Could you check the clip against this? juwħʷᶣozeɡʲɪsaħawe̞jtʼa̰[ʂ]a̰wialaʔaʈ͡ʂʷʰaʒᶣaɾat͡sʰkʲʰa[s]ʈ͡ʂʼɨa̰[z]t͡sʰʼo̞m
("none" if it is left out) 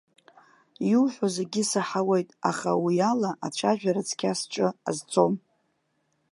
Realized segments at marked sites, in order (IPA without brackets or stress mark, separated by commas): χ, s, z